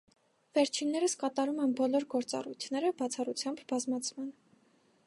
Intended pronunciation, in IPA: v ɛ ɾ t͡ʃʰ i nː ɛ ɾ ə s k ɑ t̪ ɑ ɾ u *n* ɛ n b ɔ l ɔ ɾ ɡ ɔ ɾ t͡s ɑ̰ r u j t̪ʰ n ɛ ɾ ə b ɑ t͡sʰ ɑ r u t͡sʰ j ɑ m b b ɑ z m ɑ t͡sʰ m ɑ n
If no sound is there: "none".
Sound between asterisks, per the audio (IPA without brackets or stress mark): m